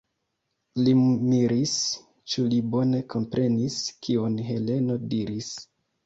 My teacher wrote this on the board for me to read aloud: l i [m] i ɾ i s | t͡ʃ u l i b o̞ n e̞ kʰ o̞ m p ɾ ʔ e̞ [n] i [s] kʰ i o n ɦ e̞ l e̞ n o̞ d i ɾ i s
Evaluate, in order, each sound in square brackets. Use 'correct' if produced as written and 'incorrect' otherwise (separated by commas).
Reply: correct, correct, correct